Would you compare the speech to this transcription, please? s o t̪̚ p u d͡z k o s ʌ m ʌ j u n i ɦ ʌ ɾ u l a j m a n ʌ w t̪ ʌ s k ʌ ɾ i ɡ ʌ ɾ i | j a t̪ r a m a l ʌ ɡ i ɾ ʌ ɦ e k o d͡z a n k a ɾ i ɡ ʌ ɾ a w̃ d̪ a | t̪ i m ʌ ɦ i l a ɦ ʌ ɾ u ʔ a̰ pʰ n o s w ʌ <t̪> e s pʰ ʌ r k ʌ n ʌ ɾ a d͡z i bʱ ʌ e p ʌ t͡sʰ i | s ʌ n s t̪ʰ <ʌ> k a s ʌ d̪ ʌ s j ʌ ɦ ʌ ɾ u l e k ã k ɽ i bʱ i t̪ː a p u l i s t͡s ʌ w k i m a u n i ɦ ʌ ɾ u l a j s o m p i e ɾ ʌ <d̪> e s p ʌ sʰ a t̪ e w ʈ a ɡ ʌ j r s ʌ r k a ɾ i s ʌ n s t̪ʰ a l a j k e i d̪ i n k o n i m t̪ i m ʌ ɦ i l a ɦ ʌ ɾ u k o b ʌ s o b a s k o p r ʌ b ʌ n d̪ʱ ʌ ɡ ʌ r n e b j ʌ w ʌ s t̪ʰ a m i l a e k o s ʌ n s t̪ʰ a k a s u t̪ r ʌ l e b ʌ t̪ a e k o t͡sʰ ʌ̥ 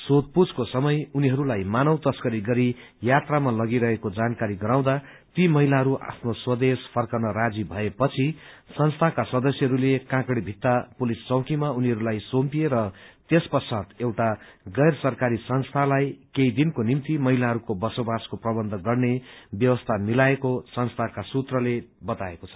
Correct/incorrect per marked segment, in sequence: incorrect: d̪, incorrect: a, incorrect: t̪

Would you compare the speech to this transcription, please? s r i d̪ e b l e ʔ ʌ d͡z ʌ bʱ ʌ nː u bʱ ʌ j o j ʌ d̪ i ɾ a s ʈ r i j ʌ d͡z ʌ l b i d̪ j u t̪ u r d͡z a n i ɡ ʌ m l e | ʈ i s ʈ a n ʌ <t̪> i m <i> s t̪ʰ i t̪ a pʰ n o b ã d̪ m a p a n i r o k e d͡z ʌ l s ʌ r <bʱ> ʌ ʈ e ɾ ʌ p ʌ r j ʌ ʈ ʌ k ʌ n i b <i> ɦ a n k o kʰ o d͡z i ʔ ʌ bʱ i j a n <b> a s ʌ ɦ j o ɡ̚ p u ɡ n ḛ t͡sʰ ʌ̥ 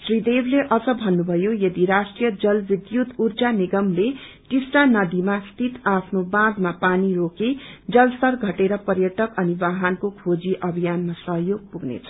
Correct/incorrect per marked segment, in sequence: incorrect: d̪, incorrect: a, incorrect: ɡʱ, incorrect: a, incorrect: m

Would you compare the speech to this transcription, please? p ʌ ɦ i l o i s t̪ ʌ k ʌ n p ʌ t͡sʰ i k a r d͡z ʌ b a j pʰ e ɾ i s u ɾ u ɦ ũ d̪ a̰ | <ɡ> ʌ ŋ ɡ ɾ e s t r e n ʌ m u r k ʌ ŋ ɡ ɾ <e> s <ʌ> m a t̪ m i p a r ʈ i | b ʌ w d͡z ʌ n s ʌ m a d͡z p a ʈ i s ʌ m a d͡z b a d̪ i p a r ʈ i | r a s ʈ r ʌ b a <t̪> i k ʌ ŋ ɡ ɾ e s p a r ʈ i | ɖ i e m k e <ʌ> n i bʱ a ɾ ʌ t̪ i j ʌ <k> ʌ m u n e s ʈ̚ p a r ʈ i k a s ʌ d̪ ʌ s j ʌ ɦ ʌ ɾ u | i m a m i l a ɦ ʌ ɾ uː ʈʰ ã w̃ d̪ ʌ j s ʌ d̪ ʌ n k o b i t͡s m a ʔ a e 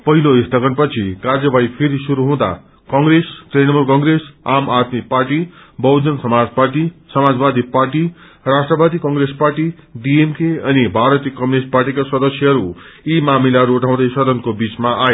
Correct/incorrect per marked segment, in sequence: incorrect: k, correct, incorrect: a, incorrect: d̪, correct, correct

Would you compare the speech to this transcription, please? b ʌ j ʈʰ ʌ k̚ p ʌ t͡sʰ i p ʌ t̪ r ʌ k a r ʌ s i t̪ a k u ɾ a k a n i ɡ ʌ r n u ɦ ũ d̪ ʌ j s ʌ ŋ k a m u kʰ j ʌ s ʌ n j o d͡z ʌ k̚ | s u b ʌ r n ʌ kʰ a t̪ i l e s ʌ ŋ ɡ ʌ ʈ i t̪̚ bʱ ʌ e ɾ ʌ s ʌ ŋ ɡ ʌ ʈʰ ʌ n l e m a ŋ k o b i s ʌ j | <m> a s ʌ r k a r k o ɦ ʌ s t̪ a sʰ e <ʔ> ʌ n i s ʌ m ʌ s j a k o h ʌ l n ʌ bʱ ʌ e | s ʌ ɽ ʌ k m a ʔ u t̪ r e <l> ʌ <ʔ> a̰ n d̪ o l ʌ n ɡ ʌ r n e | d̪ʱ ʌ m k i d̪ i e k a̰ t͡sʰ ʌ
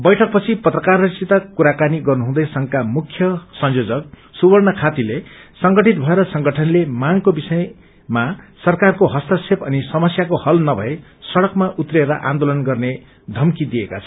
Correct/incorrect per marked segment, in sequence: correct, incorrect: p, incorrect: ɾ, correct

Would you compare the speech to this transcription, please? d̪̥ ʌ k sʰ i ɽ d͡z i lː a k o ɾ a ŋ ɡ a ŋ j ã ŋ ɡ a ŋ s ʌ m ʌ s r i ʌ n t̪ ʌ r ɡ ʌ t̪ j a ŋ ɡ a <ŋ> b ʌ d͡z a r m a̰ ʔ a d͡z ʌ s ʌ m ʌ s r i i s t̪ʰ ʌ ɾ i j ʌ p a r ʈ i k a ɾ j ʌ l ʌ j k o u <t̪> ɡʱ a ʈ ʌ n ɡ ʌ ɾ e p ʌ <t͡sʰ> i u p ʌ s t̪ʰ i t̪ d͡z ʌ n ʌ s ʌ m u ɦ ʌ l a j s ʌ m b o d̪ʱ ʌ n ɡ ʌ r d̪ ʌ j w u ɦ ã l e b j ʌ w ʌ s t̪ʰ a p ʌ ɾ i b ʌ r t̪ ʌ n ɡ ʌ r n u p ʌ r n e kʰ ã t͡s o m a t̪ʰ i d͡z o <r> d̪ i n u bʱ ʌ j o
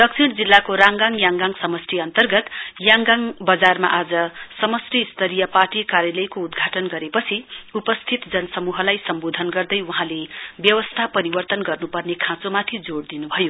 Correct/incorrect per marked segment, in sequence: correct, incorrect: d̪, correct, incorrect: ɽ

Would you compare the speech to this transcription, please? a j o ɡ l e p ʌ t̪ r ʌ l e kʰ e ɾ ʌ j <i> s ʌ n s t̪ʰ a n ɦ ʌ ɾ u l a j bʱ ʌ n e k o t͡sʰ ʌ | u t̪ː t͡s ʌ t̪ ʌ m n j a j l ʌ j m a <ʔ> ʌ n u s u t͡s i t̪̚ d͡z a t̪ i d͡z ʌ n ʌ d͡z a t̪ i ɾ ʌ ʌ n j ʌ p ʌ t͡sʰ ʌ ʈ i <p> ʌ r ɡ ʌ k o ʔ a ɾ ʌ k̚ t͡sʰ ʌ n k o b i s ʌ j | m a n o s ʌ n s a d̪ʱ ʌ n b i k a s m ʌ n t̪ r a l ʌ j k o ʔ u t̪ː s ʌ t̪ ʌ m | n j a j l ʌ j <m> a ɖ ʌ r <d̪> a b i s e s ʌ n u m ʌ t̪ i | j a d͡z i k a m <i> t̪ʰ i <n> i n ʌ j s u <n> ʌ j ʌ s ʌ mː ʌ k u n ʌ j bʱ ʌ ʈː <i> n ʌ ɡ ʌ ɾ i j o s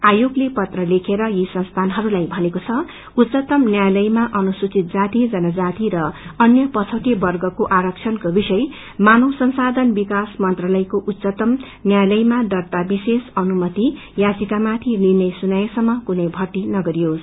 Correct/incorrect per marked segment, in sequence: correct, correct, incorrect: b, correct, incorrect: t̪, incorrect: a, correct, correct, correct

